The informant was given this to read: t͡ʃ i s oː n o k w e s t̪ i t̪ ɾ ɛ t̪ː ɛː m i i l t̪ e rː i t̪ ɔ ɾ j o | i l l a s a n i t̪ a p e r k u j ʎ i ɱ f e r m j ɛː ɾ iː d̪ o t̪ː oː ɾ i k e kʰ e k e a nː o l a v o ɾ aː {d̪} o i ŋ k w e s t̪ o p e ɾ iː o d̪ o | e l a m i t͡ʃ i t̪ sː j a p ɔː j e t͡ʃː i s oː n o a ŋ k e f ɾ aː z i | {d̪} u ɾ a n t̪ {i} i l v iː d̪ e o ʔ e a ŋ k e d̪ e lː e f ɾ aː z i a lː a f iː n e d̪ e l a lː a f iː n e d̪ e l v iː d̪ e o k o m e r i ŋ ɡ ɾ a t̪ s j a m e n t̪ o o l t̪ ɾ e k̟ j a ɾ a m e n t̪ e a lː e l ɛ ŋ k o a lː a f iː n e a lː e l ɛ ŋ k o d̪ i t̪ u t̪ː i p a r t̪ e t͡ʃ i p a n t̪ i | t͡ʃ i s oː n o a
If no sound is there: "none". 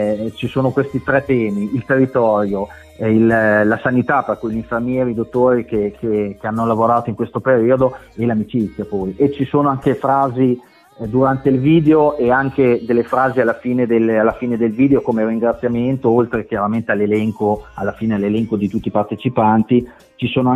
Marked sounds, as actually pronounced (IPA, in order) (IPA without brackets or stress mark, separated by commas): t̪, d̪, e